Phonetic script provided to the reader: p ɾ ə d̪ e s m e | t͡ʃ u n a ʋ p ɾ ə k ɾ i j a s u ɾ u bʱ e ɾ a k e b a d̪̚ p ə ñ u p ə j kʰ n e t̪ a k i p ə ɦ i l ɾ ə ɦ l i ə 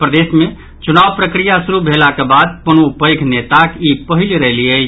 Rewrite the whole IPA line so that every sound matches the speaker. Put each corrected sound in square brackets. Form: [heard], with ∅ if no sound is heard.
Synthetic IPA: p ɾ ə d̪ e s m e | t͡ʃ u n a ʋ p ɾ ə k ɾ i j a s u ɾ u bʱ e [l] a k e b a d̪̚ p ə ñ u p ə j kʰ n e t̪ a k i p ə ɦ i l ɾ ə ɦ l i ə